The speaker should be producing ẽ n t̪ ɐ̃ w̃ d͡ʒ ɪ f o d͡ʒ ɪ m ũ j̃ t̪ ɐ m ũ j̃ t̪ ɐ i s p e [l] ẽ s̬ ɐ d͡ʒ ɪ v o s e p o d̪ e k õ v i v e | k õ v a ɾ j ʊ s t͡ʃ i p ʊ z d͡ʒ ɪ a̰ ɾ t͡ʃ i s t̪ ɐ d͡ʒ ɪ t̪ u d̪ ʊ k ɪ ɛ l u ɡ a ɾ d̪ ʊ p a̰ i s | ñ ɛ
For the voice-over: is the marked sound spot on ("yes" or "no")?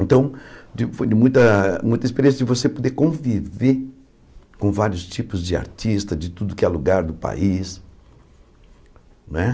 no